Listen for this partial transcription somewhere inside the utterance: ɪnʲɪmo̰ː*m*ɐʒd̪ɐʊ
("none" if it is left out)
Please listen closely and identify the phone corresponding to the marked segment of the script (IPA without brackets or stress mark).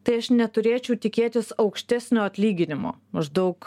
m